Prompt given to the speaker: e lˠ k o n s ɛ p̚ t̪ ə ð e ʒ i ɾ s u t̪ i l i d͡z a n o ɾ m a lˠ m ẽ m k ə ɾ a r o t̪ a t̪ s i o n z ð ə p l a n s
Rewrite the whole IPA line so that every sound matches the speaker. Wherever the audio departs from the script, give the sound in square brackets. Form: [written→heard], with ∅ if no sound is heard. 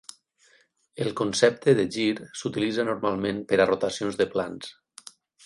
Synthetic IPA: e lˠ k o n s ɛ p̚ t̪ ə ð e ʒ i ɾ s u t̪ i l i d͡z a n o ɾ m a lˠ m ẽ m [k→p] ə ɾ a r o t̪ a [t̪→∅] s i o n z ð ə p l a n s